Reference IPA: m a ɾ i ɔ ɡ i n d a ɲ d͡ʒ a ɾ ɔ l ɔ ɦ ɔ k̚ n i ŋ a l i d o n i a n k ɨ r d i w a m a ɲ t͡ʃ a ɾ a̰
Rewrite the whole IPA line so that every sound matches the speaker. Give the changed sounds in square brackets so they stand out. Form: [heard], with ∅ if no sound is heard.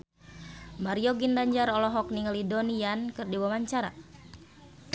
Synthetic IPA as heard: m a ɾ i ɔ ɡ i n d a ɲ d͡ʒ a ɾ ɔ l ɔ ɦ ɔ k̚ n i ŋ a l i d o n i a n k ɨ r d i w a m a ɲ t͡ʃ a ɾ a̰